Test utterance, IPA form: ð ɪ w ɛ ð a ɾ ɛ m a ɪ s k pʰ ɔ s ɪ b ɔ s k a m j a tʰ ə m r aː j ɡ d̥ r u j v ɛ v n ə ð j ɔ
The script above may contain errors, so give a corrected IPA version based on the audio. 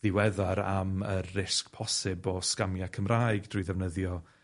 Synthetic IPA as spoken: ð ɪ w ɛ ð a ɾ a m ə ɪ s k pʰ ɔ s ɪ b ɔ s k a m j a kʰ ə m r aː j ɡ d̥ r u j ð ɛ v n ə ð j ɔ